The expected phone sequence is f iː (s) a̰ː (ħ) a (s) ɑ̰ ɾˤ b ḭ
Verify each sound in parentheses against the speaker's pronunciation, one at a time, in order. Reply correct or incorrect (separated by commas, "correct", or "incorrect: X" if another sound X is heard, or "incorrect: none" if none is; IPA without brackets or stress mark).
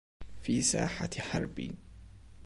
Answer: correct, correct, incorrect: ħ